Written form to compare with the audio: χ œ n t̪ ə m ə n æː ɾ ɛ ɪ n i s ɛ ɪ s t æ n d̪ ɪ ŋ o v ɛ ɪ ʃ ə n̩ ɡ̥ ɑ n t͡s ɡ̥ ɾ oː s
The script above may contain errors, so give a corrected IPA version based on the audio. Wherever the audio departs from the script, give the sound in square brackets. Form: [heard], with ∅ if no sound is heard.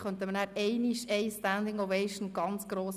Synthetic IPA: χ œ n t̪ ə m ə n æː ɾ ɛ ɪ n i [ʃ] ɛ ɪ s t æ n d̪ ɪ ŋ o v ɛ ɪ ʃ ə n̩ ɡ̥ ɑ n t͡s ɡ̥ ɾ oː s

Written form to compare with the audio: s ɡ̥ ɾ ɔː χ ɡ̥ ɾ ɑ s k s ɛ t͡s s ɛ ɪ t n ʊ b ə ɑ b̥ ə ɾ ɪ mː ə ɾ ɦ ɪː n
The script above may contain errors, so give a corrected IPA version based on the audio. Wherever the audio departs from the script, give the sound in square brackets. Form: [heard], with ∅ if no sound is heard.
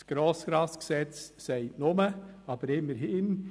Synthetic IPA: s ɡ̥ ɾ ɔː [s] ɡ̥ ɾ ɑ s k s ɛ t͡s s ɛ ɪ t n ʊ [m] ə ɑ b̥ ə ɾ ɪ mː ə ɾ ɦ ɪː n

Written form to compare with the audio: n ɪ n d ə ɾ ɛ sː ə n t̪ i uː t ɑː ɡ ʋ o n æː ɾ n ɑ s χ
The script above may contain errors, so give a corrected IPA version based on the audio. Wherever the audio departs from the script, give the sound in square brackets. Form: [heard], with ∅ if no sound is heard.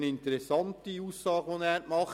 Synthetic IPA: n ɪ n [t] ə ɾ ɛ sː [ɑ] n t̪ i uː [s] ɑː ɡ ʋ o n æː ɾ [m] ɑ [∅] χ

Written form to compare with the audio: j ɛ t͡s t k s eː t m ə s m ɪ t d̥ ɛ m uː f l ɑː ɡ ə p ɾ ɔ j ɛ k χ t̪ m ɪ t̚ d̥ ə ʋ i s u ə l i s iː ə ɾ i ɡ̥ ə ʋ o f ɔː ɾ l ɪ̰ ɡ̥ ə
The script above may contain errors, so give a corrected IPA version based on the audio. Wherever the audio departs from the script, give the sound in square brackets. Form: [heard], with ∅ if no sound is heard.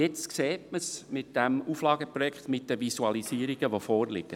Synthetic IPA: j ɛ t͡s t k s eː t m ə s m ɪ t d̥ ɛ m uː f l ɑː ɡ ə p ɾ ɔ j ɛ k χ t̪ m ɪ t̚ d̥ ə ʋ i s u [ɑ] l i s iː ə ɾ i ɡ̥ ə ʋ o f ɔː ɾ l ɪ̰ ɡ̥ ə

